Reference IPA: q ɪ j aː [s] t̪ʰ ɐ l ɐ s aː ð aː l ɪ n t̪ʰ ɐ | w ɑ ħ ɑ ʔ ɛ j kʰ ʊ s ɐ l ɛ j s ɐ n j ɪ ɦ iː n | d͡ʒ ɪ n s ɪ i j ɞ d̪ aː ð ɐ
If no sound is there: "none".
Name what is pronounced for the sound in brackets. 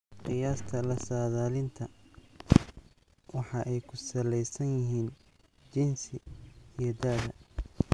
s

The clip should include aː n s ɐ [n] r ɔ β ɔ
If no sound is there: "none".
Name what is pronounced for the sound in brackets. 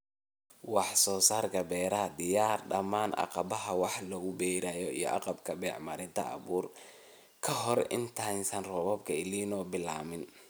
n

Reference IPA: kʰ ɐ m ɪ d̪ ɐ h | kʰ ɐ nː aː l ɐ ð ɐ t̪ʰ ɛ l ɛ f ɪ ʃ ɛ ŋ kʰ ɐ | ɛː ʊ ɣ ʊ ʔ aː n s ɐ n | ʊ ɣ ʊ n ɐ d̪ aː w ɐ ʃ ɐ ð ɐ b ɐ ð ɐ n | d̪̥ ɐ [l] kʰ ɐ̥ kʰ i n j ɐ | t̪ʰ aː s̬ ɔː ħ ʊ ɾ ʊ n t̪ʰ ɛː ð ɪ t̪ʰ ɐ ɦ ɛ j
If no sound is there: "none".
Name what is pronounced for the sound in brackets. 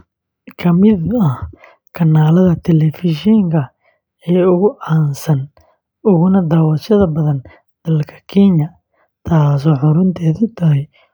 l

